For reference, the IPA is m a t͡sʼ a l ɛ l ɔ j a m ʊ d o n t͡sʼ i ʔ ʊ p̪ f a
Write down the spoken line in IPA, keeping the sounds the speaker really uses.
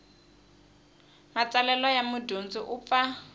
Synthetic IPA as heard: m a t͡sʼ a l ɛ l ɔ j a m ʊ d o n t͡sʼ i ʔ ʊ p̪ f a